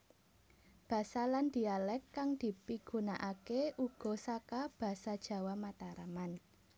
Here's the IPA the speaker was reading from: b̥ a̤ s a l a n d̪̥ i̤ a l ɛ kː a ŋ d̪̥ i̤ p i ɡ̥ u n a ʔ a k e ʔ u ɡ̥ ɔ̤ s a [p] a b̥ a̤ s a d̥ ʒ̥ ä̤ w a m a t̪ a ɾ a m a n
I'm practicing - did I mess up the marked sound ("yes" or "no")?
yes